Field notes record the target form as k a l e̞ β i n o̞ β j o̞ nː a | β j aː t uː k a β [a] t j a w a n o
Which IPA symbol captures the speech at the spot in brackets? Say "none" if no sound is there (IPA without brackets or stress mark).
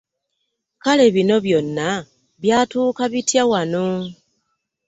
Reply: i